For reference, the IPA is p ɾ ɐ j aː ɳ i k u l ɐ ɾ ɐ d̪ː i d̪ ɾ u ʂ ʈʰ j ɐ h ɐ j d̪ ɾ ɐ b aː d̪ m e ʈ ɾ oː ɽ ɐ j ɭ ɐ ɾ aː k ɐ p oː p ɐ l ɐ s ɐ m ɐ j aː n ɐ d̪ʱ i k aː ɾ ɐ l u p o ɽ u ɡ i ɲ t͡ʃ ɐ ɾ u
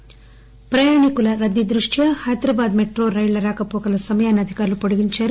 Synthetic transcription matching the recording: p ɾ ɐ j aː ɳ i k u l ɐ ɾ ɐ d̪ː i d̪ ɾ u ʂ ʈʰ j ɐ h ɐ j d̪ ɾ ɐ b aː d̪ m e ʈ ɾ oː ɾ ɐ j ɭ ɐ ɾ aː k ɐ p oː k ɐ l ɐ s ɐ m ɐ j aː n ɐ d̪ʱ i k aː ɾ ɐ l u p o ɽ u ɡ i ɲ t͡ʃ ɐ ɾ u